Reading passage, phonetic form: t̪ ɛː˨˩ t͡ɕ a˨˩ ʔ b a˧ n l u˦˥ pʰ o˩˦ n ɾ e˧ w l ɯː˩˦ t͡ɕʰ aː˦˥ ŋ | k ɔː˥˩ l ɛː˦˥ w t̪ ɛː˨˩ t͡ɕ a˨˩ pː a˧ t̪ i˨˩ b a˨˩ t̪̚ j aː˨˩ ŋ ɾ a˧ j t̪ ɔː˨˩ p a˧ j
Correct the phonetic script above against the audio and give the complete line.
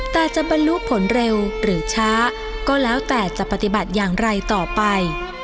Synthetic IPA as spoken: t̪ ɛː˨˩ t͡ɕ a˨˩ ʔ b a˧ n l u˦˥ pʰ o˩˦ n ɾ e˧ w ɾ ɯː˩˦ t͡ɕʰ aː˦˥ | k ɔː˥˩ l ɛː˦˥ w t̪ ɛː˨˩ t͡ɕ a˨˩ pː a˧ t̪ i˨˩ b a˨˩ t̪̚ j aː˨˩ ŋ ɾ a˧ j t̪ ɔː˨˩ p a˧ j